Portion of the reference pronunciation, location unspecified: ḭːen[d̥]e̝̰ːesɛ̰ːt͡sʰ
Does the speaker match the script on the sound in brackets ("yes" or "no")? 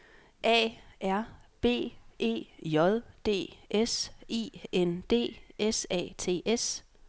yes